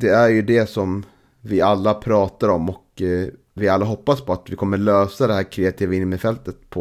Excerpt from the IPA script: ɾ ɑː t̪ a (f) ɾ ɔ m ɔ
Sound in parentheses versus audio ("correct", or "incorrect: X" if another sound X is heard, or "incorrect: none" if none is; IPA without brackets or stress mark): incorrect: none